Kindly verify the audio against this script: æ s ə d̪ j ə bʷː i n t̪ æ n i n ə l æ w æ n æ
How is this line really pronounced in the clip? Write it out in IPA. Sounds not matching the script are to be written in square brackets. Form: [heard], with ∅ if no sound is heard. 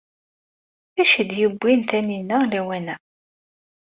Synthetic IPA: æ [ʃ] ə d̪ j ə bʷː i n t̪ æ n i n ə l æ w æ n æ